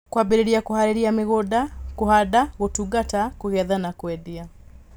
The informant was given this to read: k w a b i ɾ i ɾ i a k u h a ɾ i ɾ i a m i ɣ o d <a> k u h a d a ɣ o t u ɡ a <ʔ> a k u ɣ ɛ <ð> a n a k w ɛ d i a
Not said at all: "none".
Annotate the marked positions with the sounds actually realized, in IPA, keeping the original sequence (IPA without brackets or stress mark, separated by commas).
a, t, ð